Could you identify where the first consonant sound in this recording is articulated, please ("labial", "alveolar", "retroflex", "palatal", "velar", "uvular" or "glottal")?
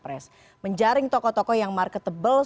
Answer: labial